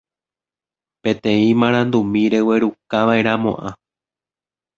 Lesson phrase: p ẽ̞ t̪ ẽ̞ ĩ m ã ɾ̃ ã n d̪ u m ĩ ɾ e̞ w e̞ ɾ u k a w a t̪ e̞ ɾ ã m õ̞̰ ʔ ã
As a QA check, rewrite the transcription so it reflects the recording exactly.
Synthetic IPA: p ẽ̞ t̪ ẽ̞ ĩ m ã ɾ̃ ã n d̪ u m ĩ ɾ e̞ w e̞ ɾ u k a ʋ a e̞ ɾ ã m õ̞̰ ʔ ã